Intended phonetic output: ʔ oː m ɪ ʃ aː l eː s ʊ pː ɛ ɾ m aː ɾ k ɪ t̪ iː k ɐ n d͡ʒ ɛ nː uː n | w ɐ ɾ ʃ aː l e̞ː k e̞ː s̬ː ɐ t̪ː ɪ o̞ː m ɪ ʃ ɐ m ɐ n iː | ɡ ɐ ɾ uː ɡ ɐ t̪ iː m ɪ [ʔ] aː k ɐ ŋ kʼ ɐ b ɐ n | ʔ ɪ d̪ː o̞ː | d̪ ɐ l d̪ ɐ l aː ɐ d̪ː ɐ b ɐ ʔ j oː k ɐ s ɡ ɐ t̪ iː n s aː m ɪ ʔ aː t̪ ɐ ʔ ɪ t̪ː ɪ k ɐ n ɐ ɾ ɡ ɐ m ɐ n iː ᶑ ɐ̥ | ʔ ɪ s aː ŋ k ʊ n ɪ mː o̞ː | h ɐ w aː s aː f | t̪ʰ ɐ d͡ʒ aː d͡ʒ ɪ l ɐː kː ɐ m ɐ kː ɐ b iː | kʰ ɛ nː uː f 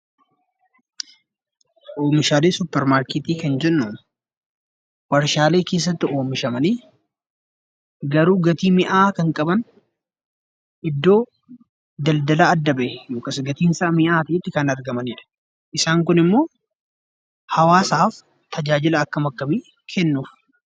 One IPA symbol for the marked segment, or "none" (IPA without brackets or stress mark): ʔ